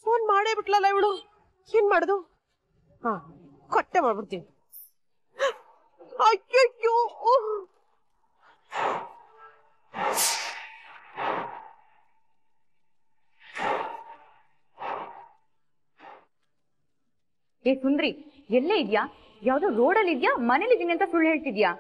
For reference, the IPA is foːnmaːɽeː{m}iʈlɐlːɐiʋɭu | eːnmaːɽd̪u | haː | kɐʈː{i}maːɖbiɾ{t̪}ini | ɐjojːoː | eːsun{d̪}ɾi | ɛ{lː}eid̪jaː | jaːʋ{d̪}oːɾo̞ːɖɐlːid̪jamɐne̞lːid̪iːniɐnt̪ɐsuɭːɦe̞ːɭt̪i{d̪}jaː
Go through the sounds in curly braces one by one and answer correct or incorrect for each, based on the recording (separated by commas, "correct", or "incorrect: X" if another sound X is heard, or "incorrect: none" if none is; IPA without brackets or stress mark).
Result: incorrect: b, incorrect: e, correct, correct, correct, correct, correct